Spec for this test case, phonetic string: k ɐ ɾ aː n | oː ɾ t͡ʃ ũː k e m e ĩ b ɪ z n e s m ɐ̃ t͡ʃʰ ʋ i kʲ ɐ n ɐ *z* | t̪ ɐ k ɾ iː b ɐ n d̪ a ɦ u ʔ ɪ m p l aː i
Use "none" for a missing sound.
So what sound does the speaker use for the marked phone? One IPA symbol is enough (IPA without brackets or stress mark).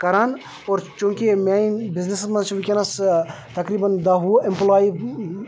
s